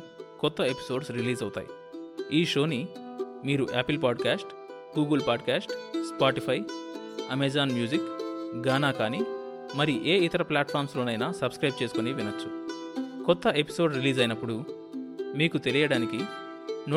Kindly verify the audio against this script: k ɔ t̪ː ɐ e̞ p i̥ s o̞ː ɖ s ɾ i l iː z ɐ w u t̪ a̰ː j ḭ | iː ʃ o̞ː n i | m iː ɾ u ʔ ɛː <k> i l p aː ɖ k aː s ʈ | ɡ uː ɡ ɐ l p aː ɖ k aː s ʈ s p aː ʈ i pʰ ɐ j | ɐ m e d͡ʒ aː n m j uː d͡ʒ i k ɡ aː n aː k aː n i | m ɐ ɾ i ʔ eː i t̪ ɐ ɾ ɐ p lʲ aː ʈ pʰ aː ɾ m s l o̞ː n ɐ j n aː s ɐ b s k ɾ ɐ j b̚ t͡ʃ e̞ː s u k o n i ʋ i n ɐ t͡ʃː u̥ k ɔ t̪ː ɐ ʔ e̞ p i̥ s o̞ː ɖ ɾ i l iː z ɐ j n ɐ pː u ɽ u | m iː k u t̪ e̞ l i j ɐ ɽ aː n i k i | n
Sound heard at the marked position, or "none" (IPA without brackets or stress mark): p